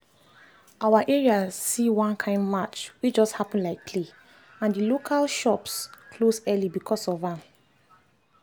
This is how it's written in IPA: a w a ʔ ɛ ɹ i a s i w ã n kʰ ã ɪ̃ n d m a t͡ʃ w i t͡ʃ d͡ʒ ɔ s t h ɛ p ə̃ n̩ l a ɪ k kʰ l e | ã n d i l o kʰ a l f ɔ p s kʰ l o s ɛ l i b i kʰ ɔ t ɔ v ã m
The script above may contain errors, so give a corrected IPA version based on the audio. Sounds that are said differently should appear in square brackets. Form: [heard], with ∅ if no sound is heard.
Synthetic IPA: a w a ʔ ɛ ɹ i a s i w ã n kʰ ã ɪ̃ n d m a t͡ʃ w i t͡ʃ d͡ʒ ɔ s t h [a] p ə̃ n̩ l a ɪ k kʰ l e | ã n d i l o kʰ a l [ʃ] ɔ p s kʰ l o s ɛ l i b i kʰ ɔ [s] ɔ v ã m